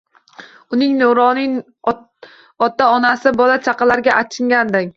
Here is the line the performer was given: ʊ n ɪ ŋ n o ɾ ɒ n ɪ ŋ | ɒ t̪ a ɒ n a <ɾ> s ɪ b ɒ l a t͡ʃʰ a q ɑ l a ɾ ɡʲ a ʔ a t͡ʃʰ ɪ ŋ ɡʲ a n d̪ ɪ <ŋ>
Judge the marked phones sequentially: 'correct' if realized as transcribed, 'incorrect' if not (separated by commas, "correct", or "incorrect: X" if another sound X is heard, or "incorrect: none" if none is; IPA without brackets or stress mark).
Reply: incorrect: none, correct